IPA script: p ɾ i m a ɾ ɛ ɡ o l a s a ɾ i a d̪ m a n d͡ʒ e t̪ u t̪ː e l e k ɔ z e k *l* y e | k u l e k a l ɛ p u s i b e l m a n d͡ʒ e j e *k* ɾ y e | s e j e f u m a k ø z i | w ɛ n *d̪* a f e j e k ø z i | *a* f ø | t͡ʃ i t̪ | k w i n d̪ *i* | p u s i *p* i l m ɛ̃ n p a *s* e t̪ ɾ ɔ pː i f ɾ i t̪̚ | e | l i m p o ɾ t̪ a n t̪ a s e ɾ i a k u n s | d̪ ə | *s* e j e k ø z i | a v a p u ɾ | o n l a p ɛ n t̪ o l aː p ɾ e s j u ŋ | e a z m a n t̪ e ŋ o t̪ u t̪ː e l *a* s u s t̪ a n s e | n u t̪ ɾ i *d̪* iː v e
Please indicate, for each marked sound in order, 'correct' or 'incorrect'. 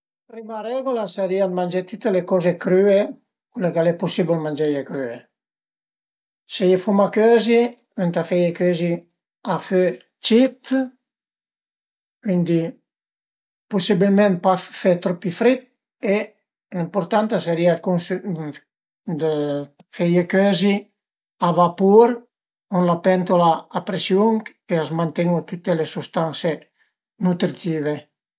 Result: incorrect: ɾ, correct, incorrect: t̪, correct, correct, incorrect: b, incorrect: f, incorrect: f, incorrect: e, incorrect: t̪

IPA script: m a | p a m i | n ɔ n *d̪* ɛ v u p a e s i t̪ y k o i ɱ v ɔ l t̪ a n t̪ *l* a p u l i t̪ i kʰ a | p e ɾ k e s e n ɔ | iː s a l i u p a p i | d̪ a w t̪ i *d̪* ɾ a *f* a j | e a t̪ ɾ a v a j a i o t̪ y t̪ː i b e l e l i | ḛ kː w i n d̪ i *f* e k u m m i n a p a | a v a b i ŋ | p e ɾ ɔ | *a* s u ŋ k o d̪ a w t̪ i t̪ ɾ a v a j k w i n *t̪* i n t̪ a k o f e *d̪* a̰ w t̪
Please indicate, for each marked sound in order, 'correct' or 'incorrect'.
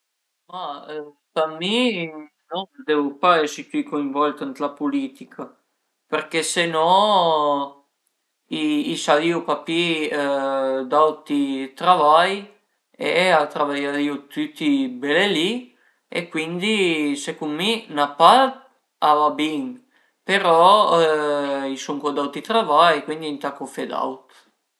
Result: correct, correct, incorrect: t̪, incorrect: v, incorrect: s, incorrect: i, incorrect: d̪, correct

